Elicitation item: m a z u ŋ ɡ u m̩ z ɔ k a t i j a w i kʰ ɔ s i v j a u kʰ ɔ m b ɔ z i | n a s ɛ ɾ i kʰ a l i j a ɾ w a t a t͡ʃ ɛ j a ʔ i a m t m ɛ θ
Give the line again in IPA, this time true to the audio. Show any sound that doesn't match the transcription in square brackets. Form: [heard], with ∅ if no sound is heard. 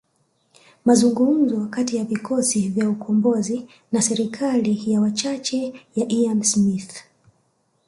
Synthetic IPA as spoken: m a z u ŋ ɡ u m̩ z ɔ k a t i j a [v] i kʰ ɔ s i v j a u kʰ ɔ m b ɔ z i | n a s ɛ ɾ i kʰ a l i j a [∅] w a [t͡ʃ] a t͡ʃ ɛ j a ʔ i a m [s] m [i] θ